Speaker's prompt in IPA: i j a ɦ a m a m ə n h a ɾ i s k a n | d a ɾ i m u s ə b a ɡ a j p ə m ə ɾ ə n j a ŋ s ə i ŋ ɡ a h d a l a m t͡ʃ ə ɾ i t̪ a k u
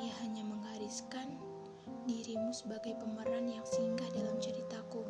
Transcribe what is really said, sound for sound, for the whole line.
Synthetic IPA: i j a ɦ a ɲ a m ə ŋ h a ɾ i s k a n | d i ɾ i m u s ə b a ɡ a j p ə m ə ɾ a n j a ŋ s ə i ŋ ɡ a h d a l a m t͡ʃ ə ɾ i t̪ a k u